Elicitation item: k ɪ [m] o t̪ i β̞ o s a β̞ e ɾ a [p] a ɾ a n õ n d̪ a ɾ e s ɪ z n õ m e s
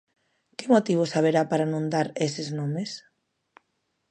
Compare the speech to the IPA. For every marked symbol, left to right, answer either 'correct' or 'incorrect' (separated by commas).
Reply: correct, correct